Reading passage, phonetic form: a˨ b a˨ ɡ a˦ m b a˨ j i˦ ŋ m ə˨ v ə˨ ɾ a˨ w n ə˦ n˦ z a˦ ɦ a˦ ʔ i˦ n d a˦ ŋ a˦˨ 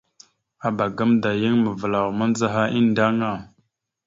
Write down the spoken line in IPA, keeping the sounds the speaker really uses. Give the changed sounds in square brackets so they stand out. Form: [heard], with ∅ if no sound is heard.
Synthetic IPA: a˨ b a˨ ɡ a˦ m [d] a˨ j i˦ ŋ m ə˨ v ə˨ [l] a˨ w [m] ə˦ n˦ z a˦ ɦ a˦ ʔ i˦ n d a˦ ŋ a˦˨